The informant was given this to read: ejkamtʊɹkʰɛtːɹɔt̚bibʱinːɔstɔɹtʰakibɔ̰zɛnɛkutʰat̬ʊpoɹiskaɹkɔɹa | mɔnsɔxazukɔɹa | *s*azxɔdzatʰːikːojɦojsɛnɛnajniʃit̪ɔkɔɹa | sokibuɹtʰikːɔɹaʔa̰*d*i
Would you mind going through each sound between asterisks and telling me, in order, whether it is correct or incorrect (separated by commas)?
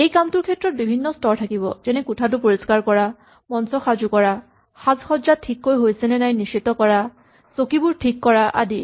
incorrect, correct